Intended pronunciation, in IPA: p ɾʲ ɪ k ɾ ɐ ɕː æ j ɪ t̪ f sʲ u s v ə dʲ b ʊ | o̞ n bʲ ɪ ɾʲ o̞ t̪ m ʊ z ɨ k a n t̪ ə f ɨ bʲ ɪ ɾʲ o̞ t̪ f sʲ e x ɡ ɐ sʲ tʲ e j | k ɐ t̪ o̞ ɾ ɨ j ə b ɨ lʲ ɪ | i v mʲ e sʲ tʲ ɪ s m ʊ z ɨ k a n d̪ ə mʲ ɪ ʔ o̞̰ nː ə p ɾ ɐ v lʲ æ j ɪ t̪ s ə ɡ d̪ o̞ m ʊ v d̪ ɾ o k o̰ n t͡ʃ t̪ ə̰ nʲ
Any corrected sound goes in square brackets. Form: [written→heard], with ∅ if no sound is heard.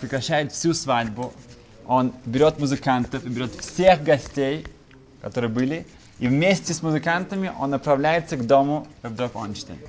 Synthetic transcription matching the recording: p ɾʲ ɪ k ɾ ɐ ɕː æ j ɪ t̪ f sʲ u s v [ə→a] dʲ b ʊ | o̞ n bʲ ɪ ɾʲ o̞ t̪ m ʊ z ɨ k a n t̪ ə f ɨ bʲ ɪ ɾʲ o̞ t̪ f sʲ e x ɡ ɐ sʲ tʲ e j | k ɐ t̪ o̞ ɾ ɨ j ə b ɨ lʲ ɪ | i v mʲ e sʲ tʲ ɪ s m ʊ z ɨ k a n [d̪→t̪] ə mʲ ɪ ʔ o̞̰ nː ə p ɾ ɐ v lʲ æ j ɪ t̪ s ə ɡ d̪ o̞ m ʊ v d̪ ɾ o k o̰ n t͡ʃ t̪ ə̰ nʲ